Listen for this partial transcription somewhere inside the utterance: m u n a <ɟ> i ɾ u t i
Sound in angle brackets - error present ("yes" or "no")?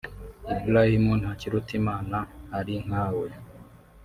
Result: yes